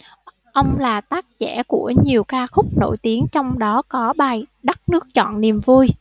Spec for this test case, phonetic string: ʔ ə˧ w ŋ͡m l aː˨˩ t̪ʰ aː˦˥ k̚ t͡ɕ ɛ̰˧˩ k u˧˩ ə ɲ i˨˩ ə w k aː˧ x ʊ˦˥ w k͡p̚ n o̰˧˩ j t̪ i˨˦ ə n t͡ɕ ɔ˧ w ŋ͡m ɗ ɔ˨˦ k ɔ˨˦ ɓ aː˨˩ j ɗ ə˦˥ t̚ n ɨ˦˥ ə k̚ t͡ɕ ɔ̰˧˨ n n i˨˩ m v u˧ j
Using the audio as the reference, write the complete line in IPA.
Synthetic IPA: ʔ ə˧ w ŋ͡m l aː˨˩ t̪ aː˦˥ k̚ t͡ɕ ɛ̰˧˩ k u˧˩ ə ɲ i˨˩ ə w k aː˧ x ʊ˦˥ k͡p̚ n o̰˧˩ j t̪ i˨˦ ə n t͡ɕ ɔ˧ w ŋ͡m ɗ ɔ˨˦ k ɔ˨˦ ɓ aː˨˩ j ɗ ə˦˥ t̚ n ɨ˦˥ ə k̚ t͡ɕ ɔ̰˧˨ n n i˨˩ m v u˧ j